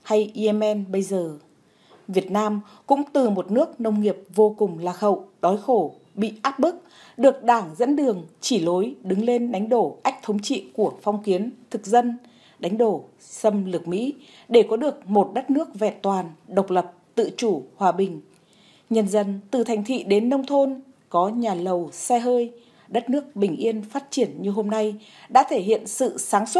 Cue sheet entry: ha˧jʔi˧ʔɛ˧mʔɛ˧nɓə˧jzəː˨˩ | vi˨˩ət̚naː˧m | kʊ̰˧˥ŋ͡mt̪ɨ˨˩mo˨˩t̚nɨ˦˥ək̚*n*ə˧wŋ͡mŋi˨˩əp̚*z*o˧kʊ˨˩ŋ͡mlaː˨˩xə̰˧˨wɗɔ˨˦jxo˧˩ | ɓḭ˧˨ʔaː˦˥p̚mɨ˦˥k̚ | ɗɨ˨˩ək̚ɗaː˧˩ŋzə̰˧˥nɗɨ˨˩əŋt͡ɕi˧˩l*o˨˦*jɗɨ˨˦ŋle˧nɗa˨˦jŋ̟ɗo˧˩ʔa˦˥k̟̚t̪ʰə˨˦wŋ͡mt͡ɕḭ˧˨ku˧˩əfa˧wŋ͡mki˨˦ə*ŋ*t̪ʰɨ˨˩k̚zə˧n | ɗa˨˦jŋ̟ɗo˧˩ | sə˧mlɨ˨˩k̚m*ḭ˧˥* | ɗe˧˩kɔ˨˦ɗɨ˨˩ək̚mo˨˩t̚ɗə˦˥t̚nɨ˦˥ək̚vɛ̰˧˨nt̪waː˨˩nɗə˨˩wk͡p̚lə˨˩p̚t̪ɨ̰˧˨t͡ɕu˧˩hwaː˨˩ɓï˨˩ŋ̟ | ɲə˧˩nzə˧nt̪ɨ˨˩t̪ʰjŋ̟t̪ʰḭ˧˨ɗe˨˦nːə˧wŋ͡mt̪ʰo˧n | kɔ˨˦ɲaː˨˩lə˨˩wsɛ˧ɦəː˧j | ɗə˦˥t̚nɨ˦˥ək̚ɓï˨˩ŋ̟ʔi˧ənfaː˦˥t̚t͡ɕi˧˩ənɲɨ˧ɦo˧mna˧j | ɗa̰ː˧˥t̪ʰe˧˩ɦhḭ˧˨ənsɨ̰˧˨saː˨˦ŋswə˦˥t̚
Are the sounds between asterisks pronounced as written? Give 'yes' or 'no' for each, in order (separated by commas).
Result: yes, no, yes, no, yes